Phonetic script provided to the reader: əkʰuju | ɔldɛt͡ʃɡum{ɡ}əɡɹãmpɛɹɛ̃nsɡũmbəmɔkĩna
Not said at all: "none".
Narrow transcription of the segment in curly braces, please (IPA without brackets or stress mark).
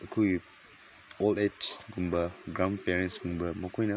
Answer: b